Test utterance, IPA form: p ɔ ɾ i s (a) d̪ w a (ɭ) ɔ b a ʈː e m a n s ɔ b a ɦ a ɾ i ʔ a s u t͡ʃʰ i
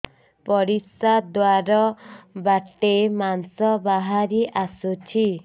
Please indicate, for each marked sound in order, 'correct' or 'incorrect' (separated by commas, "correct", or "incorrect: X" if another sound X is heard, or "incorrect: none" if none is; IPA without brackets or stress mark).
correct, incorrect: ɾ